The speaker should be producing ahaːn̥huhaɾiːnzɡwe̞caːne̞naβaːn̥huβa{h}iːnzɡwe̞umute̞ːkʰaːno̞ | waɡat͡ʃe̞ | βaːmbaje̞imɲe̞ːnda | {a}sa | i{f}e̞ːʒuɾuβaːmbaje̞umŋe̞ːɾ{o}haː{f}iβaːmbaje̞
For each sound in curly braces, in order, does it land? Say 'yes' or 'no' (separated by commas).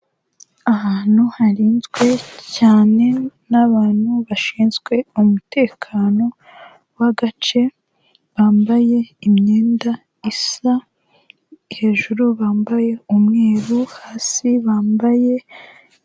no, no, no, no, no